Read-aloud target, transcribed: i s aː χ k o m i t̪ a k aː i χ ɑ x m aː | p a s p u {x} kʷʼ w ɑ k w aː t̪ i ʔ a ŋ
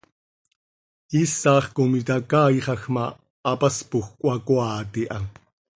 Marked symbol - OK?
yes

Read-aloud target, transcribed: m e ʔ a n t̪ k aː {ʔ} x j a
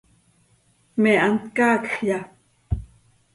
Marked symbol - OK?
no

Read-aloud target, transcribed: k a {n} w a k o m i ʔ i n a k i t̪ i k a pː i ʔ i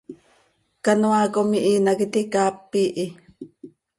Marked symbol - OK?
yes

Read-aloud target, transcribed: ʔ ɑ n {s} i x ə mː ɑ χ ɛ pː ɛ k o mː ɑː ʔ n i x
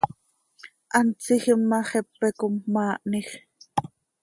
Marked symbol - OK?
no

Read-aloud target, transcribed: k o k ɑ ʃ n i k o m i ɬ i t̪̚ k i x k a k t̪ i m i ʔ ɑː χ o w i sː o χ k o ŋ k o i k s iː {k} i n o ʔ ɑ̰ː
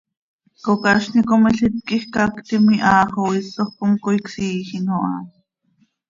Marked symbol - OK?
no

